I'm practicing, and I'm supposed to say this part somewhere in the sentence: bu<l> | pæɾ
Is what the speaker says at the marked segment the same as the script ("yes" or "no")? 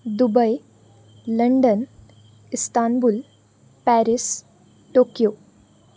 yes